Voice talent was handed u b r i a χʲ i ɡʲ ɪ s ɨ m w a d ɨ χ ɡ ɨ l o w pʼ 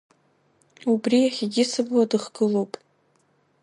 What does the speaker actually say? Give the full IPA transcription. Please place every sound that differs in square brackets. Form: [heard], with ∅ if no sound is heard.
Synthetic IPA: u b r i a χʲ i ɡʲ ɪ s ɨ [b] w a d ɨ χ ɡ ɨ l o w pʼ